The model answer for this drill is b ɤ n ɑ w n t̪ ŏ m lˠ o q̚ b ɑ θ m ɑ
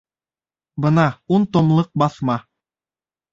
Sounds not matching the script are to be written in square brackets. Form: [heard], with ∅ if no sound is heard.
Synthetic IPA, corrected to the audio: b ɤ n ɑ [u] n t̪ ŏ m lˠ [ɤ] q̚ b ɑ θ m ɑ